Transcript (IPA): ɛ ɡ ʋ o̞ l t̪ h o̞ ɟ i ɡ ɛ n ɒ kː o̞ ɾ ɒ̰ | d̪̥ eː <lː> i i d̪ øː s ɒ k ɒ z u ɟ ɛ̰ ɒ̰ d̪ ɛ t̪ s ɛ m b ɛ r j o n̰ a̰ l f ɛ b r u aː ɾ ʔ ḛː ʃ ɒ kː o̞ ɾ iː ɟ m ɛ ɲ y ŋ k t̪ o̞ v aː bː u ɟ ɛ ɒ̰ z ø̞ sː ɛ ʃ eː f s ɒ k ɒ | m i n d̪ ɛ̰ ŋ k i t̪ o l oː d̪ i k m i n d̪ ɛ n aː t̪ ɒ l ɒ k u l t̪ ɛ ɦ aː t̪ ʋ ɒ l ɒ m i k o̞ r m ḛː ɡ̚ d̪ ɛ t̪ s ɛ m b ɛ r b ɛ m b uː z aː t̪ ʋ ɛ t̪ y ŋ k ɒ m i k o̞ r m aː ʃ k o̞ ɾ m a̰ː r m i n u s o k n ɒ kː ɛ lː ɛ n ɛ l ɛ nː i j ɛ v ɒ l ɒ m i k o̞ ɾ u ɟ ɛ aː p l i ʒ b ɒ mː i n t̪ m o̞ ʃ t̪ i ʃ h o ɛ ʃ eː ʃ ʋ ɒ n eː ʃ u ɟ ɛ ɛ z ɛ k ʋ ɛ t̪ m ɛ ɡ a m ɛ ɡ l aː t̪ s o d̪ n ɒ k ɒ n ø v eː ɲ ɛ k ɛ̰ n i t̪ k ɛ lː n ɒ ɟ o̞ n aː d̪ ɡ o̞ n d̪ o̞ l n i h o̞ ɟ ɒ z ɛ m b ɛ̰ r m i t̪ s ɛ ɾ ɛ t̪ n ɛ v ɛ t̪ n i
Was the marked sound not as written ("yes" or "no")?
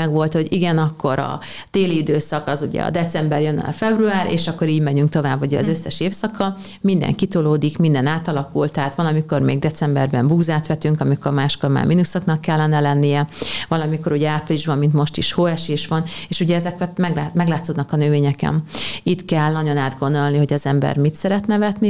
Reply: yes